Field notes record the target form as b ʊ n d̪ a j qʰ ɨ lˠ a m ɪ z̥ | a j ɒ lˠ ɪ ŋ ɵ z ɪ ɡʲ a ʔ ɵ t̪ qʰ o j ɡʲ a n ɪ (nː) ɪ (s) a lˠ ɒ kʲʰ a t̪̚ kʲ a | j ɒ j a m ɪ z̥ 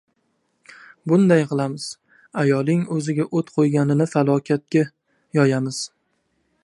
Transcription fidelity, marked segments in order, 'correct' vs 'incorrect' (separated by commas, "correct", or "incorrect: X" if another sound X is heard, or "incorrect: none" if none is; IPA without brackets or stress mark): incorrect: n, incorrect: f